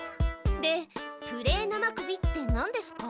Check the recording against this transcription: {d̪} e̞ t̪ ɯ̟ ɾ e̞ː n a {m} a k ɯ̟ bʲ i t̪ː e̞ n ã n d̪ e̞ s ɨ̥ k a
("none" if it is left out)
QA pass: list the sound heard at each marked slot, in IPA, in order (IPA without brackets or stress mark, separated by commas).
d̪, m